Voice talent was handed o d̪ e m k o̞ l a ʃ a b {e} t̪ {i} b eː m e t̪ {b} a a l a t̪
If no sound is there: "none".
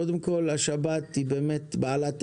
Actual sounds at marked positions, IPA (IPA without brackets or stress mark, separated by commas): a, i, b